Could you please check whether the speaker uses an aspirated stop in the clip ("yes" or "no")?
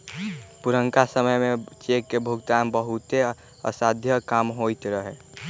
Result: no